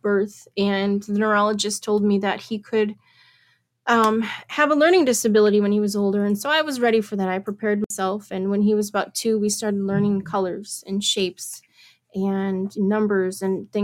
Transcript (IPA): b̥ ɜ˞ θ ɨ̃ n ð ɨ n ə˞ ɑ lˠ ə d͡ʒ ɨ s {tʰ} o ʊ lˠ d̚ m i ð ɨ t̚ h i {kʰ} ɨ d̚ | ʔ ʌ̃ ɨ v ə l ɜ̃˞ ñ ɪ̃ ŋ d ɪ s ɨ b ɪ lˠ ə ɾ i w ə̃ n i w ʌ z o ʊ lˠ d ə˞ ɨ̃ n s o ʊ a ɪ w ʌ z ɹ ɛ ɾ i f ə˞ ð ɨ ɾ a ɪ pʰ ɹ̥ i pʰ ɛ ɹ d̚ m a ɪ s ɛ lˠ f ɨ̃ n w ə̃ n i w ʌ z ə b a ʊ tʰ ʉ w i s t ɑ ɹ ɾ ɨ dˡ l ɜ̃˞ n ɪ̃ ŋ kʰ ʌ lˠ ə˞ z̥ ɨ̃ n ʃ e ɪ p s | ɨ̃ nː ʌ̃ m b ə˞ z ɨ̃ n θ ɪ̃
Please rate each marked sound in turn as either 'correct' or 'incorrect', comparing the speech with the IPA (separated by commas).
correct, correct